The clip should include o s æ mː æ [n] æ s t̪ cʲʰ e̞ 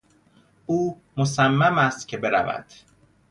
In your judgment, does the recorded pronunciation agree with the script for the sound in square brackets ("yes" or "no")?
no